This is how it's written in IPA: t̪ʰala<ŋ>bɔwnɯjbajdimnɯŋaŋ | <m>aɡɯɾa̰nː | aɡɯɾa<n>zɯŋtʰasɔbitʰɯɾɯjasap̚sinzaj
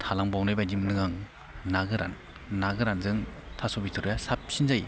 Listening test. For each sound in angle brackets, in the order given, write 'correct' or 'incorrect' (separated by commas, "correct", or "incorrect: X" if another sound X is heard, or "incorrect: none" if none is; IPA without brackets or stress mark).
correct, incorrect: n, correct